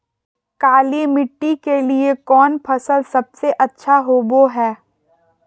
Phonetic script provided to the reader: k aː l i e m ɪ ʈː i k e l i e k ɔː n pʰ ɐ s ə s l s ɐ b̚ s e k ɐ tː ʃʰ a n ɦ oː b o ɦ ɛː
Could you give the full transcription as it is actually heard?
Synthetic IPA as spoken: k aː l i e m ɪ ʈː i k e l i e k ɔː n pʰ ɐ s ə l s ɐ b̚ s e ʔ ɐ tː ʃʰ a ɦ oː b o ɦ ɛː